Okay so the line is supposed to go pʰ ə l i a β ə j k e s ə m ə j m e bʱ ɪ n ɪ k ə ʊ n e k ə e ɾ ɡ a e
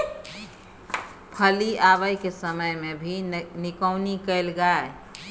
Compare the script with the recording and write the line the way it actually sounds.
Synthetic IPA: pʰ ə l i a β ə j k e s ə m ə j m e bʱ i n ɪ k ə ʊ n i k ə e l ɡ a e

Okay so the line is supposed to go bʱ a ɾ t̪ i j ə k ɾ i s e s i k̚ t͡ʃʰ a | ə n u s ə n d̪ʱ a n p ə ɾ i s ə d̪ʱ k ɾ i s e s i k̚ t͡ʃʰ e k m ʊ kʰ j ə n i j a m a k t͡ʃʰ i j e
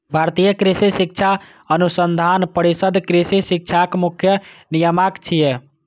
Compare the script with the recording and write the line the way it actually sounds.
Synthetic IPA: bʱ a ɾ t̪ i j ə k ɾ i s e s i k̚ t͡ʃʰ a | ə n u s ə n d̪ʱ a n p ə ɾ i s ə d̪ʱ k ɾ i s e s i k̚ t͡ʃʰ a k m u kʰ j ə n i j ə m a k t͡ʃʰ i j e

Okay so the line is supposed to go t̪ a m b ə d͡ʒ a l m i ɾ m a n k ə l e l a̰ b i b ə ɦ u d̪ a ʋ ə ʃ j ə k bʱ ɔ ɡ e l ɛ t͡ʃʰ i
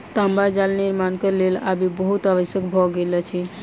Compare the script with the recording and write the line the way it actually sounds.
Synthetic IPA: t̪ a m b a d͡ʒ a l n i ɾ m a n k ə l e l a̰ b i b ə ɦ u t̪ a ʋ ə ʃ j ə k bʱ ɔ ɡ e l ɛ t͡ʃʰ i

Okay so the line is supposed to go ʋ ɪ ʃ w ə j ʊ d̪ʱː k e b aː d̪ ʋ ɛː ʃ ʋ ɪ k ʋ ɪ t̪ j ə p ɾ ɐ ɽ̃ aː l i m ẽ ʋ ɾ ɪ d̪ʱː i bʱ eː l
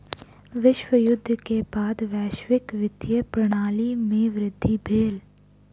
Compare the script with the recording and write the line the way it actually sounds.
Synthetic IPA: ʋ ɪ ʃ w ə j ʊ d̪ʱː k e b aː d̪ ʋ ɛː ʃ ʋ ɪ k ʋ ɪ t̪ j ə p ɾ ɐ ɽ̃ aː l i m ẽ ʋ ɾ ɪ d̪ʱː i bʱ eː l

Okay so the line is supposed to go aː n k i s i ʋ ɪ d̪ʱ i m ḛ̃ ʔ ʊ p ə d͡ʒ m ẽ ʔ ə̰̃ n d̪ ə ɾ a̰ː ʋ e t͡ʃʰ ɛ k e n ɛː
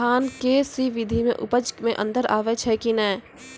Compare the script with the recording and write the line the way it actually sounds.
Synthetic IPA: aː n k e s i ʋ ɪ d̪ʱ i m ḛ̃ ʔ ʊ p ə d͡ʒ m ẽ ʔ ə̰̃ n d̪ ə ɾ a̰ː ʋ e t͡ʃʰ ɛ k i n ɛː

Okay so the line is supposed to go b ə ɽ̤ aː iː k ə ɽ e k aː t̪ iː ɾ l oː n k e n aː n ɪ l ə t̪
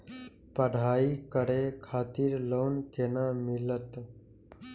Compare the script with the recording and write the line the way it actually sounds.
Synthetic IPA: p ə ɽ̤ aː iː k ə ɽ e kʰ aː t̪ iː ɾ l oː n k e n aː m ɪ l ə t̪

